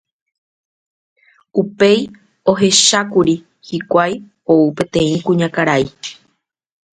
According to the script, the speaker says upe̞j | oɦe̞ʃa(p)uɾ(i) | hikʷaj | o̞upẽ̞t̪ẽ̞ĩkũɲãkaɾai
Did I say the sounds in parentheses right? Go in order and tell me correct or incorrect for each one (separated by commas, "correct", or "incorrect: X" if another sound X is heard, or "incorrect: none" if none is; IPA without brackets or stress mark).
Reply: incorrect: k, correct